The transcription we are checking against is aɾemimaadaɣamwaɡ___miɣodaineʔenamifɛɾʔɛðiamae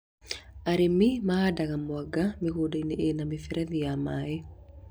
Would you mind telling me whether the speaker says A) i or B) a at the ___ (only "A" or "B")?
B